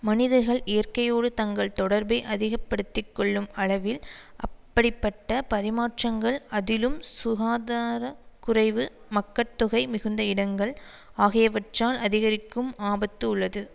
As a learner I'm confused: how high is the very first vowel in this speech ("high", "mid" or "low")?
low